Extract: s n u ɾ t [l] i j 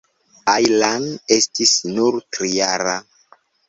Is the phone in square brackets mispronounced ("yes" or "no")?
yes